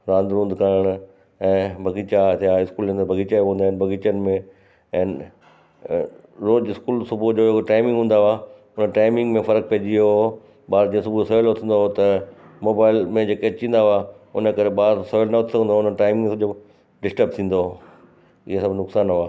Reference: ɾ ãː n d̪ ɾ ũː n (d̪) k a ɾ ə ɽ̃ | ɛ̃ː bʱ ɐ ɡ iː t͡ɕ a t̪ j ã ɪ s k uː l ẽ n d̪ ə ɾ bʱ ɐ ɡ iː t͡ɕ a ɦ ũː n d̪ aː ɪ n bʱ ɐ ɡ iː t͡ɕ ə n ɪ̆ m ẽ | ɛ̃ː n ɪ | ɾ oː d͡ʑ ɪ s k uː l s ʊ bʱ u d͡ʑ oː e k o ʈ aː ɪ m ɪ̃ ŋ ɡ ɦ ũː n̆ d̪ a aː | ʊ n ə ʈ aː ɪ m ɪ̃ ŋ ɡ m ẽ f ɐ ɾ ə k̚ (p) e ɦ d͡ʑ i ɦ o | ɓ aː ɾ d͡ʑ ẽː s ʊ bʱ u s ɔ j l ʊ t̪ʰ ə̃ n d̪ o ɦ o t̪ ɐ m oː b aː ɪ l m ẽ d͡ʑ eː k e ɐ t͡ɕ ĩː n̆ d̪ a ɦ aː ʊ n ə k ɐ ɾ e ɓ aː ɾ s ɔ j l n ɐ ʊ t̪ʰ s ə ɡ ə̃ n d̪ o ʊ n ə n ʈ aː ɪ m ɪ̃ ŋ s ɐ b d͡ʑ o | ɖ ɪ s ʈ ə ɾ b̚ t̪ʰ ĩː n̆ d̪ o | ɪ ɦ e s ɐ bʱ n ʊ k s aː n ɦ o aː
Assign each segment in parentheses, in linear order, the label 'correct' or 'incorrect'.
correct, correct

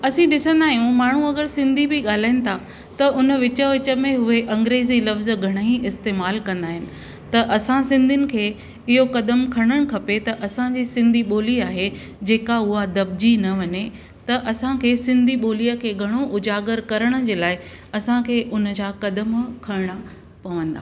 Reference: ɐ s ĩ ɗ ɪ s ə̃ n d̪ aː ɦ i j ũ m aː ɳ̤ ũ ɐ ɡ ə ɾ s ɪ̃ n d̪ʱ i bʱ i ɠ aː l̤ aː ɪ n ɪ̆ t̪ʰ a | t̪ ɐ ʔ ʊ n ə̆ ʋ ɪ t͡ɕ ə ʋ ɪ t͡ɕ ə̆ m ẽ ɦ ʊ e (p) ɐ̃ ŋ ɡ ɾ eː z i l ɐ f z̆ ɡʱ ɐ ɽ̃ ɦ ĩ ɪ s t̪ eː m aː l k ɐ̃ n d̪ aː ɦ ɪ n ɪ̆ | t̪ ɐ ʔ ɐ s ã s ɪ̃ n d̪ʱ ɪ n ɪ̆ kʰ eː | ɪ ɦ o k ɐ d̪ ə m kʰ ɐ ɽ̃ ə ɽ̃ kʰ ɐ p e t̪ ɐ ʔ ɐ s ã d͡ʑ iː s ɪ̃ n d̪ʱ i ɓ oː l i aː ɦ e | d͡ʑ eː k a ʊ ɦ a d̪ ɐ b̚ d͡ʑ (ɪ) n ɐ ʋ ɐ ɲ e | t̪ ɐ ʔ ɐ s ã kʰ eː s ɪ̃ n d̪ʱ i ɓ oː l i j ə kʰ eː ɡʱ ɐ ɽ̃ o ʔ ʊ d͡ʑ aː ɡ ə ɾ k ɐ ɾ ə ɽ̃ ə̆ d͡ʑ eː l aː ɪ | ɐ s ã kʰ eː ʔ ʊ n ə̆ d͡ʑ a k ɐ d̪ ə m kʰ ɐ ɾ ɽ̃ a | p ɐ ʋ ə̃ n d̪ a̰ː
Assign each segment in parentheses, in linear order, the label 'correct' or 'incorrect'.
incorrect, incorrect

